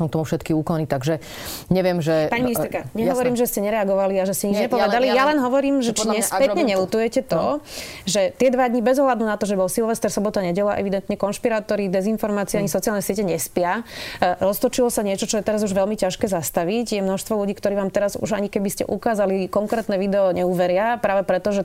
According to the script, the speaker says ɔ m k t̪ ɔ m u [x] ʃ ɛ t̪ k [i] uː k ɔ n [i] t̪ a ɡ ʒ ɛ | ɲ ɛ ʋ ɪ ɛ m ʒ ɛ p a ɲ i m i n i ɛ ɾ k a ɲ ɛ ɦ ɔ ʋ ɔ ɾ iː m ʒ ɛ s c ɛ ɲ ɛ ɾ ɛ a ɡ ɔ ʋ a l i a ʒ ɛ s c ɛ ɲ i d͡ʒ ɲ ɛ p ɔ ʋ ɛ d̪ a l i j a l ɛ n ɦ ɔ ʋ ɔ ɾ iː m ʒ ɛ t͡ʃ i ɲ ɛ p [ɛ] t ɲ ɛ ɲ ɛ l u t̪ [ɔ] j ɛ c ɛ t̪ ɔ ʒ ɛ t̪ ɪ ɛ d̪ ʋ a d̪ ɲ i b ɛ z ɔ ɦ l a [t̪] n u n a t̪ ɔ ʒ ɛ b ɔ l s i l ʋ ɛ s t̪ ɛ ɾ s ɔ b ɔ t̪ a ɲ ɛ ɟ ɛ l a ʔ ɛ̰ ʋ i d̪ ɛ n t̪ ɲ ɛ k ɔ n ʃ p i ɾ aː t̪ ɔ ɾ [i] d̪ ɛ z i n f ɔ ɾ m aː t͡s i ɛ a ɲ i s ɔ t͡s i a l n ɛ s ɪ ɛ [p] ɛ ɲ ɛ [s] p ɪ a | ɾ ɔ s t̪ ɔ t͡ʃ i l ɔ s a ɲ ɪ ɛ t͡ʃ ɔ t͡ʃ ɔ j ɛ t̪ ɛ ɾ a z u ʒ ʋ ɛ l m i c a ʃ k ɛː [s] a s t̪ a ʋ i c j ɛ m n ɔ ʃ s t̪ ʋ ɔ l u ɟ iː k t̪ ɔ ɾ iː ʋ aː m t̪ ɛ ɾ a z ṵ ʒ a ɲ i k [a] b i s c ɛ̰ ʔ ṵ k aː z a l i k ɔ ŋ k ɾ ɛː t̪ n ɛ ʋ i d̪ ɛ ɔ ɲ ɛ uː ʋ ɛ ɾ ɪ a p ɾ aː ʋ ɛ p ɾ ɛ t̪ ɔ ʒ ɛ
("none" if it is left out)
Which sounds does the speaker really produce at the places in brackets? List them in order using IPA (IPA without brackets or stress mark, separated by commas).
f, i, i, ɛ, u, d̪, i, c, s, z, ɛ